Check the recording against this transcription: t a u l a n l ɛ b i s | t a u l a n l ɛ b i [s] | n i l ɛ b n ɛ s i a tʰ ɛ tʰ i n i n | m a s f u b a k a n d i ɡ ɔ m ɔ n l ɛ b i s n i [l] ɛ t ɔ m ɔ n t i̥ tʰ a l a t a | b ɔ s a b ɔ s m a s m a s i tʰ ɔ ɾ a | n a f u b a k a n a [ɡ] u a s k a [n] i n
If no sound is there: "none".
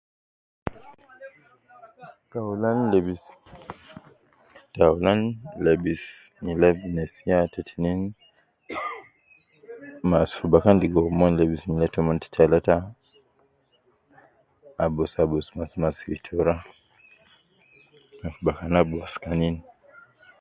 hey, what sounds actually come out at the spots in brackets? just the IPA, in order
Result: s, l, b, n

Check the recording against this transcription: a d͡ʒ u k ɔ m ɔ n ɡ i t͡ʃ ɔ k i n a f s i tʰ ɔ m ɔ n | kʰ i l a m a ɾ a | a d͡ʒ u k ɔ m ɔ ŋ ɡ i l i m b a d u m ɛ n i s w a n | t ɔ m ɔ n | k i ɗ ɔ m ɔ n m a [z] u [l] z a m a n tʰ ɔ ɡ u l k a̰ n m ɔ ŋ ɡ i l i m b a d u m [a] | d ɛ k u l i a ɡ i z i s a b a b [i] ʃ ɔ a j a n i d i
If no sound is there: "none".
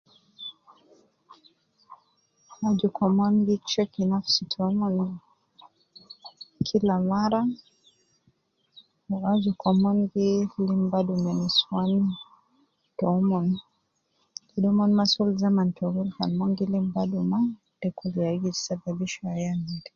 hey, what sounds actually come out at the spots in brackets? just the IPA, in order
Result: s, l, a, i

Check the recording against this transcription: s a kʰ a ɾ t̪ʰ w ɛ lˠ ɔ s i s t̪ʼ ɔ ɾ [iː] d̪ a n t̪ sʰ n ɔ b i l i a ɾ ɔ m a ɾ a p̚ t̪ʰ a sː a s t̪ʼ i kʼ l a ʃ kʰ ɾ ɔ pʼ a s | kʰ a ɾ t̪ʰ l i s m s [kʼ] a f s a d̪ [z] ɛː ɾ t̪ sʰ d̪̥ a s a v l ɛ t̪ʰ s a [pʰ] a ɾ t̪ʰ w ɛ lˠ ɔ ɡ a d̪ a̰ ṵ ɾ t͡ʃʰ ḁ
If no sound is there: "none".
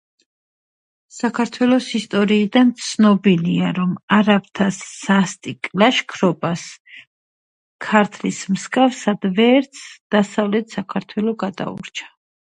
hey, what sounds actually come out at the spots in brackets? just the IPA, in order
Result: iː, kʼ, v, kʰ

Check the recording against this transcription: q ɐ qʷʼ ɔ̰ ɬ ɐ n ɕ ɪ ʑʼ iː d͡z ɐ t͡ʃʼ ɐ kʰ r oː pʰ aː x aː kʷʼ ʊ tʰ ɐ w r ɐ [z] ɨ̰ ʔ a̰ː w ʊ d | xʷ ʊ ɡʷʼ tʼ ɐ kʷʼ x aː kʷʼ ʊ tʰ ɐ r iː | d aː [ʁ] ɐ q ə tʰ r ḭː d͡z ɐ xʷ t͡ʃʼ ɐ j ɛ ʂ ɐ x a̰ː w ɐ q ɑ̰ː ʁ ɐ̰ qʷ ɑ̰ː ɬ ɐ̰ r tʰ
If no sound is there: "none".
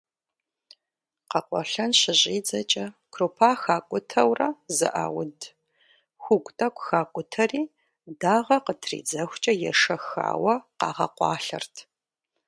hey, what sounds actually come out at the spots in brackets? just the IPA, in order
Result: z, ʁ

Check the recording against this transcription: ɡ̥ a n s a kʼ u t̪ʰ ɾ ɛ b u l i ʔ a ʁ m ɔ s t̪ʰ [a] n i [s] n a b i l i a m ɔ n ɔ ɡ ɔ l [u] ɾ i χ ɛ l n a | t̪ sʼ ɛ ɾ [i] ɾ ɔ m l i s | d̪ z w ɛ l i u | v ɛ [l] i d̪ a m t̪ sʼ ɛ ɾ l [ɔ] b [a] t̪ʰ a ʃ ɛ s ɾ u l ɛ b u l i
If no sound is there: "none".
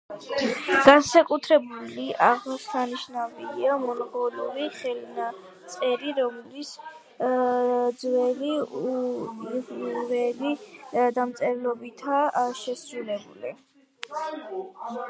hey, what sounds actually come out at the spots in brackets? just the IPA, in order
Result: a, ʃ, u, i, l, ɔ, i

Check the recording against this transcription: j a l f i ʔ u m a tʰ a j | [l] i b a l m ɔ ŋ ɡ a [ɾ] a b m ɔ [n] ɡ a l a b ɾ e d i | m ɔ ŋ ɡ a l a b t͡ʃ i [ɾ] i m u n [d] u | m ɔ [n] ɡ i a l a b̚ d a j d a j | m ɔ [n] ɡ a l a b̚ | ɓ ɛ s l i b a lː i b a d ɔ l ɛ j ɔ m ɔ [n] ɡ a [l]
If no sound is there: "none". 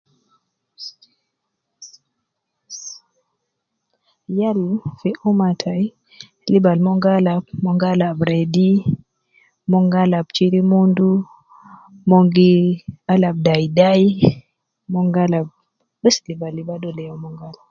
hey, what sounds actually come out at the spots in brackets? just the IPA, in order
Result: l, l, ŋ, ɾ, d, ŋ, ŋ, ŋ, l

